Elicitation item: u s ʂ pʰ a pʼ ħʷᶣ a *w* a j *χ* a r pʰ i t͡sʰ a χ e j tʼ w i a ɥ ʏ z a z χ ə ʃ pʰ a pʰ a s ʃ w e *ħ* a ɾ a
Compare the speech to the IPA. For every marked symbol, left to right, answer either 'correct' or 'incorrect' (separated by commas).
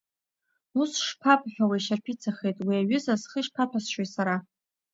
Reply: correct, incorrect, incorrect